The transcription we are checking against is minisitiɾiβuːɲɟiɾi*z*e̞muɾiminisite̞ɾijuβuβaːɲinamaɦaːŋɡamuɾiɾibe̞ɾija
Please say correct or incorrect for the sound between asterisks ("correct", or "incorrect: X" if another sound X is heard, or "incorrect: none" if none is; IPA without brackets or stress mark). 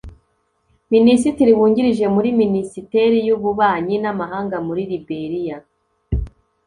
incorrect: ʒ